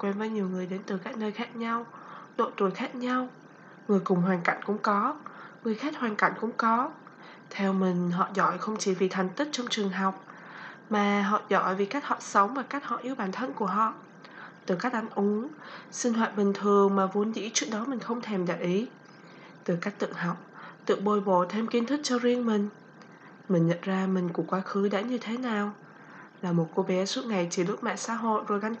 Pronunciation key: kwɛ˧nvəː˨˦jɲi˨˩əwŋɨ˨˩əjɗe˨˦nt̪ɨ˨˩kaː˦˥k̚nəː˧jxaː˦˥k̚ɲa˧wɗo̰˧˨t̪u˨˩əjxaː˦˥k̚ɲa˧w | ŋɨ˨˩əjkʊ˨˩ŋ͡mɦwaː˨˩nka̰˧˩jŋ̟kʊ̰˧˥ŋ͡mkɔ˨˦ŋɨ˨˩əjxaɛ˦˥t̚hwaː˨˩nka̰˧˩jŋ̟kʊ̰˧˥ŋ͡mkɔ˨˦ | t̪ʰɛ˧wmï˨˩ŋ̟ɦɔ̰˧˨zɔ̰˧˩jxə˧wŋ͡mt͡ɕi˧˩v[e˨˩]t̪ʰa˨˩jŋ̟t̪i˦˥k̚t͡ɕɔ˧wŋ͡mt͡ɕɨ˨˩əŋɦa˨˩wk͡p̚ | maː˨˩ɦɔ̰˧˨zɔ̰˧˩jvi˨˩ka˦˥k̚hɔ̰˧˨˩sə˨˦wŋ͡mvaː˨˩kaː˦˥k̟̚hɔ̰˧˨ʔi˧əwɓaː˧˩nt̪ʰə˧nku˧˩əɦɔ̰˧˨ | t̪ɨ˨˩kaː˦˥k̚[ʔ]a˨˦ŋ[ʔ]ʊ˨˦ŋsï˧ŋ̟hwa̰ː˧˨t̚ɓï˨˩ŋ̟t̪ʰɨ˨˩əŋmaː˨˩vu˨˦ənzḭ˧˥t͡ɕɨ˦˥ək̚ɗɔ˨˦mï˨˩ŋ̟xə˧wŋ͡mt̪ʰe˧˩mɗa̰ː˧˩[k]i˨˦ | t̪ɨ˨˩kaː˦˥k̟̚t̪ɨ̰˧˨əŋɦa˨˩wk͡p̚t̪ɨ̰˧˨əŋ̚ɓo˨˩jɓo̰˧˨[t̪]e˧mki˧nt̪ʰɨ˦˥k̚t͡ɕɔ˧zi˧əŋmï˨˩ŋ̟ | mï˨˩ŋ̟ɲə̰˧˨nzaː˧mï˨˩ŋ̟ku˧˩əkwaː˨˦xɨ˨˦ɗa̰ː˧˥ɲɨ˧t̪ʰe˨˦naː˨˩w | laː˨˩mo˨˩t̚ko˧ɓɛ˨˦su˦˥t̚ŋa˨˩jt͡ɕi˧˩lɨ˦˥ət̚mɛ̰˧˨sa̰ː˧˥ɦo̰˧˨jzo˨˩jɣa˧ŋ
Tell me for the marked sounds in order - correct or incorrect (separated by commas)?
incorrect, correct, correct, incorrect, incorrect